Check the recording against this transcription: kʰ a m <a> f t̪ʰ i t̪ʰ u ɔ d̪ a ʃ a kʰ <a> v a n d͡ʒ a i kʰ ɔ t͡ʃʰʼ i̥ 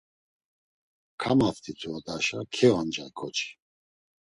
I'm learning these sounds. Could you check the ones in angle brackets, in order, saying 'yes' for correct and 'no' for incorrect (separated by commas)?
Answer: yes, no